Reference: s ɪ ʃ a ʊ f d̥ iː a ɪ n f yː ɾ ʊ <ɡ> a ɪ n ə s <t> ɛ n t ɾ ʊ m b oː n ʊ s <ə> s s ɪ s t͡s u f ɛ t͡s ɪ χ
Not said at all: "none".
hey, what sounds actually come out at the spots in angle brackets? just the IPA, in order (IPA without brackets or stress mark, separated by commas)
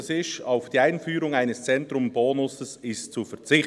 ŋ, t͡s, ə